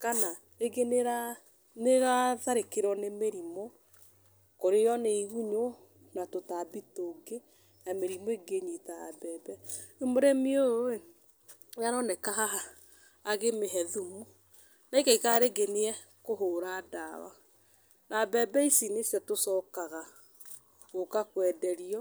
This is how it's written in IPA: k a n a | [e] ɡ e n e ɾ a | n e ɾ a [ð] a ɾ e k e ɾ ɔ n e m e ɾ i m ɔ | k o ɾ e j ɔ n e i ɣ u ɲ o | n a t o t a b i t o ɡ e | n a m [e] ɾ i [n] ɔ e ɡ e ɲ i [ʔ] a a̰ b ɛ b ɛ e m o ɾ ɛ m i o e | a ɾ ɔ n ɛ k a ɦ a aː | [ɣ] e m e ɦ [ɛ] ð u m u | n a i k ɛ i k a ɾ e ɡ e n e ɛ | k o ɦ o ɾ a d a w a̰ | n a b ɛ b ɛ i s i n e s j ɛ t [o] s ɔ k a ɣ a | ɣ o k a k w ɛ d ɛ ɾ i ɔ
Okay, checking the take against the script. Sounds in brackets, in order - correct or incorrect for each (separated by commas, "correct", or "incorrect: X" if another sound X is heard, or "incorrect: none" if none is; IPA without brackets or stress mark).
correct, correct, correct, incorrect: m, incorrect: t, correct, correct, correct